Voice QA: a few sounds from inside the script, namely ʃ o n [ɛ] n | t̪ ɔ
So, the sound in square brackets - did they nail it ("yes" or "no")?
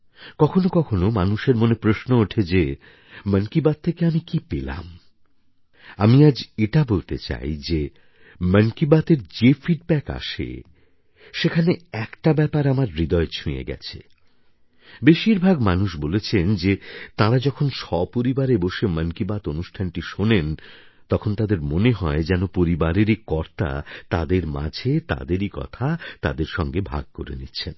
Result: no